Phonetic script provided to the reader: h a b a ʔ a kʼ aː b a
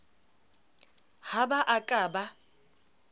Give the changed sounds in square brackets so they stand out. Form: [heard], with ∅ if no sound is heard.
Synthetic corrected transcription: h a b a ʔ a kʼ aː b a

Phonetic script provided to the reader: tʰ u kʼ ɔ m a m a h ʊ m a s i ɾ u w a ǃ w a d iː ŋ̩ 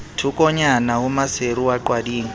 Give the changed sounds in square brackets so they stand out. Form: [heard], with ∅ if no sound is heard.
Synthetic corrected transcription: tʰ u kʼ ɔ [ɲ] a [n] a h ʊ m a s [e] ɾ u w a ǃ w a d iː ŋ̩

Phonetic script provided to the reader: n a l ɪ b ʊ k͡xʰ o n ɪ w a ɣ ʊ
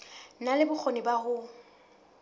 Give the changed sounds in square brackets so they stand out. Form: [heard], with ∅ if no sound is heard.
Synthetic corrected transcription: n a l ɪ b ʊ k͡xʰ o n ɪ [b] a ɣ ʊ

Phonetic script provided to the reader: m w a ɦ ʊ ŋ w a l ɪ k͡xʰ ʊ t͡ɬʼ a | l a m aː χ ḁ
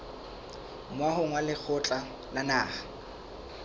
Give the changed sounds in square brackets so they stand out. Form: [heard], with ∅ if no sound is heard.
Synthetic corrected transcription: m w a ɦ ʊ ŋ w a l ɪ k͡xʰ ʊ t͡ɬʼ a | l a [n] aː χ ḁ

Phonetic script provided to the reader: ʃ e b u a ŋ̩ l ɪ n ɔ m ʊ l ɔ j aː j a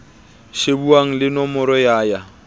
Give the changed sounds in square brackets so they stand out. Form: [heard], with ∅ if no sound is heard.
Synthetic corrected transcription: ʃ e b u a ŋ̩ l ɪ n ɔ m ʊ [ɾ] ɔ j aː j a

